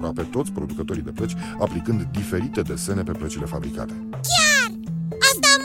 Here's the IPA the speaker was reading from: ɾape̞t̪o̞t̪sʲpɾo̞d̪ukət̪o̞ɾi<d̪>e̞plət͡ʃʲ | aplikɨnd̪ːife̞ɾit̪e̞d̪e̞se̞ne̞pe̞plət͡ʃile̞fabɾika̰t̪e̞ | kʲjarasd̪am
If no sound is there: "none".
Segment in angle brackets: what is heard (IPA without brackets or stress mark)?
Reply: d̪